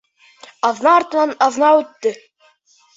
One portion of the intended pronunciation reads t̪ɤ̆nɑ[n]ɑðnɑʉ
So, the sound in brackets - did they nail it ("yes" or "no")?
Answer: yes